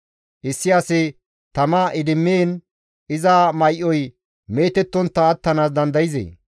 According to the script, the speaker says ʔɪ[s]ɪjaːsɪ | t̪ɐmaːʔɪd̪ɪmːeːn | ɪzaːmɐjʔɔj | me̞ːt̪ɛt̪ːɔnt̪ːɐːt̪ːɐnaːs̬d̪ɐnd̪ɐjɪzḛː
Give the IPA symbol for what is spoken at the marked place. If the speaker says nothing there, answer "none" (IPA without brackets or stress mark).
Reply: sː